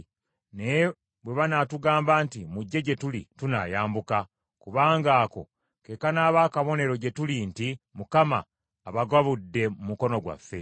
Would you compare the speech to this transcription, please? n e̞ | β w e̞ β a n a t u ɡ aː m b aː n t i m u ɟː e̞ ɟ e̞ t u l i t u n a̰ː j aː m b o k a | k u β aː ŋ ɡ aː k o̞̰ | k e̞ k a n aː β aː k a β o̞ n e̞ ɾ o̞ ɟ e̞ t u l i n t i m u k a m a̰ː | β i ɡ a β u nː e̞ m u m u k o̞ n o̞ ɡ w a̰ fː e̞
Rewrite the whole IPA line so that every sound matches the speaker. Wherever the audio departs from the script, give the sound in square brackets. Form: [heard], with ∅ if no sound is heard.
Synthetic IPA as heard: n e̞ | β w e̞ β a n a t u ɡ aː m b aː n t i m u ɟː e̞ ɟ e̞ t u l i t u n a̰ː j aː m b [u] k a | k u β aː ŋ ɡ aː k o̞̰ | k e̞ k a n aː β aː k a β o̞ n e̞ ɾ o̞ ɟ e̞ t u l i n t i m u k a m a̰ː | β [a] ɡ a β u [dː] e̞ m u m u k o̞ n o̞ ɡ w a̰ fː e̞